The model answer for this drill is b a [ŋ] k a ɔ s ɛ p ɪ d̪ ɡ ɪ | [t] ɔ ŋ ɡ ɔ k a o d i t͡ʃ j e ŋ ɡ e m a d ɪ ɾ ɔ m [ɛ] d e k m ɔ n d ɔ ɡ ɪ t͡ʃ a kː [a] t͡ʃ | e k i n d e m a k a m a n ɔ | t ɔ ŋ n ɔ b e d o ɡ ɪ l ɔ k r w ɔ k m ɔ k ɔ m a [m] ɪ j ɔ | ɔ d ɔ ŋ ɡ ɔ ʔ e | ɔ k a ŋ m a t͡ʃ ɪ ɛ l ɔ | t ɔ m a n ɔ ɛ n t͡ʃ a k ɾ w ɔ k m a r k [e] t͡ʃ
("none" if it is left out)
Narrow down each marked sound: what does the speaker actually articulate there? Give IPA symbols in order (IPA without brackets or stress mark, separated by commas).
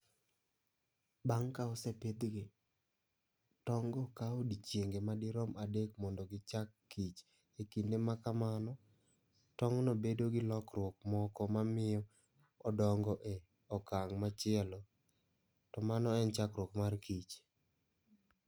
ŋ, t, a, i, m, i